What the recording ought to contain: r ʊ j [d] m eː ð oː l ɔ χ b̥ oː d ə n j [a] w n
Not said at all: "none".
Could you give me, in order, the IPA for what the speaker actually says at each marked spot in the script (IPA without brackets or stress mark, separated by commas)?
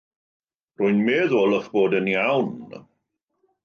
n, a